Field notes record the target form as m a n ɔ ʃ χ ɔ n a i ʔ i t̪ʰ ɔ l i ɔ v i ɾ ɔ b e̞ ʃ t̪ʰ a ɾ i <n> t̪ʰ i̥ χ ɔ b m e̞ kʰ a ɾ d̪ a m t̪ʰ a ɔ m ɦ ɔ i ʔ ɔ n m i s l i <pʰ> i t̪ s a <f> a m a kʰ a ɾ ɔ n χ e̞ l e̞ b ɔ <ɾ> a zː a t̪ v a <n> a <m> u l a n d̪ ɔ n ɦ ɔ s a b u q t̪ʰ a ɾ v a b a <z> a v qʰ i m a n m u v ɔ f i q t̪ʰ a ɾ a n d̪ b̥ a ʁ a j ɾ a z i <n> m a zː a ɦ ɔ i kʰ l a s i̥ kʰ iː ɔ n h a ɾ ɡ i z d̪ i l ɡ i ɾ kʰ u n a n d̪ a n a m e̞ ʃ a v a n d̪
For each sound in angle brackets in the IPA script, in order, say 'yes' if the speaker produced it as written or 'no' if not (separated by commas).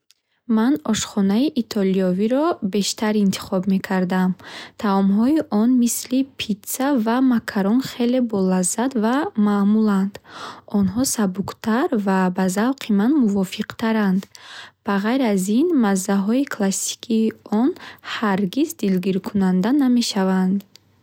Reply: yes, yes, no, no, no, yes, yes, yes